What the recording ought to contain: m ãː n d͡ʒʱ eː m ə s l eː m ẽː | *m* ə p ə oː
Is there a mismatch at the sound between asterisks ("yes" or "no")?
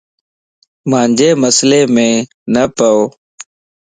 yes